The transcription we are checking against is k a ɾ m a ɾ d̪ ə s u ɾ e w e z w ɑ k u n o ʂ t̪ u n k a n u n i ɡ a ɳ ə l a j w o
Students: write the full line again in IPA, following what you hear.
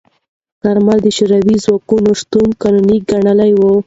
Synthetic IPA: k a ɾ m a l d̪ ə ʃ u ɾ a w i z w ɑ k u n o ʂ t̪ u n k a n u n i ɡ a ɳ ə l a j w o